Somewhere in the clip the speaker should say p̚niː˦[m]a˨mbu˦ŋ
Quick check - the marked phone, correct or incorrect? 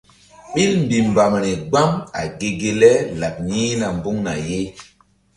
incorrect